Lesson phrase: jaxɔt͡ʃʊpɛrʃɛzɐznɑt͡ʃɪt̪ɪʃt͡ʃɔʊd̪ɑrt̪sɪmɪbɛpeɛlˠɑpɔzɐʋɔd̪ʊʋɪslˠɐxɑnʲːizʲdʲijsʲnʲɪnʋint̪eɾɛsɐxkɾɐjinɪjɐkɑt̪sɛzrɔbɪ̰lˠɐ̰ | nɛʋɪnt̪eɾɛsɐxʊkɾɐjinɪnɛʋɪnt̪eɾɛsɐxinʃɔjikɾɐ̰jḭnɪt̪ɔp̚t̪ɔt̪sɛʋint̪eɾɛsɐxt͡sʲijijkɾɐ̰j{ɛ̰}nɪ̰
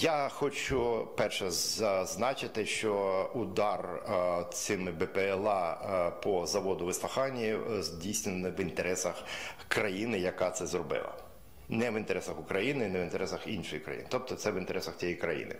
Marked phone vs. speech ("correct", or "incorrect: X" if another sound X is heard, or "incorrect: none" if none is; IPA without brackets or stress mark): incorrect: ḭ